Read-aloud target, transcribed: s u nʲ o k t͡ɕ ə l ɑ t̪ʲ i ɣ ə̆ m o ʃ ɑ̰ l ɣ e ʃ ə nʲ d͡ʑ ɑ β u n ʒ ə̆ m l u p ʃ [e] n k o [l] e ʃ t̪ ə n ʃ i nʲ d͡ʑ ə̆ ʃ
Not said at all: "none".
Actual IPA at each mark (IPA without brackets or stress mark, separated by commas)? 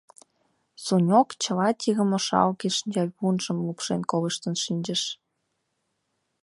e, l